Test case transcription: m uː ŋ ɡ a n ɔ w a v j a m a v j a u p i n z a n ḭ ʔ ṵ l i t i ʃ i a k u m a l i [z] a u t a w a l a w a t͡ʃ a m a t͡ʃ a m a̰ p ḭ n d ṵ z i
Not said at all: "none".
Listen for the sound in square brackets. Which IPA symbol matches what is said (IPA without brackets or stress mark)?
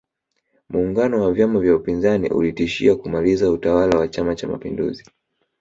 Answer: z